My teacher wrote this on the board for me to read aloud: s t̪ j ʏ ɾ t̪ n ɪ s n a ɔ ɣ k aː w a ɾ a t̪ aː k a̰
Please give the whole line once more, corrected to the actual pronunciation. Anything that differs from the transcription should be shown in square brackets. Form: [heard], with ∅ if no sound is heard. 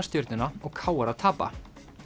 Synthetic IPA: s t̪ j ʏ ɾ t̪ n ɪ [∅] n a ɔ ɣ [kʰ] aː w a ɾ a [t̪ʰ] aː [p] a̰